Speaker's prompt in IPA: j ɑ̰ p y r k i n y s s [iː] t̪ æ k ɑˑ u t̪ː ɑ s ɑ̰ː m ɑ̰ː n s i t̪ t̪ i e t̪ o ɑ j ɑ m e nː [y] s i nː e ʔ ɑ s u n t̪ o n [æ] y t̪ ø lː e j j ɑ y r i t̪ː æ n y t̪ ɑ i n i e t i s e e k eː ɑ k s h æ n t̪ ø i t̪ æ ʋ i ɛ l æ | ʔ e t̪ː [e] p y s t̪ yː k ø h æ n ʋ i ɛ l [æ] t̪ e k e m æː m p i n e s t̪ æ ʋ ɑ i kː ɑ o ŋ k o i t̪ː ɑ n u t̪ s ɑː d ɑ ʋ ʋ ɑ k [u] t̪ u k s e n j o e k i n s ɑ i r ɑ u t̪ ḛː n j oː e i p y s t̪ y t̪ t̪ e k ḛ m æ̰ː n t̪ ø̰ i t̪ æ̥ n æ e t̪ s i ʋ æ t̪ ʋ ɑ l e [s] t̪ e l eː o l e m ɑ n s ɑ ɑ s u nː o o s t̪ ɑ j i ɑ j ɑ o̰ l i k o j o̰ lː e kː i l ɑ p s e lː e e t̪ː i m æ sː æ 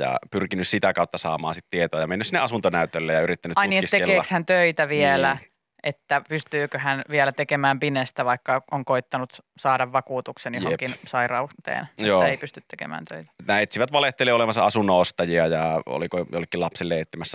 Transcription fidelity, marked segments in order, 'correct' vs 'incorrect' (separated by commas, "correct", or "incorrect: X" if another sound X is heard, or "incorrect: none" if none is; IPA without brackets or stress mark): incorrect: i, correct, correct, incorrect: æ, correct, incorrect: uː, incorrect: h